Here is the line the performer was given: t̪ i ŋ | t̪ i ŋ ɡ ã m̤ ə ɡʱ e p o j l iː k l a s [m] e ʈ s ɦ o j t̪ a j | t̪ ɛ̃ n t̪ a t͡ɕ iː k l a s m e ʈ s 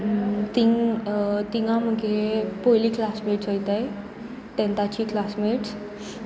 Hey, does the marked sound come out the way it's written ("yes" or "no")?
yes